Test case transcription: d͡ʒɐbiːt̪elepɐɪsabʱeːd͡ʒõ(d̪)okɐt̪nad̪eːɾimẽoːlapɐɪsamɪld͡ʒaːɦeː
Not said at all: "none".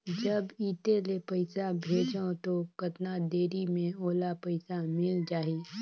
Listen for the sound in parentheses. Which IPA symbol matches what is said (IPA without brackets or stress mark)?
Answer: t̪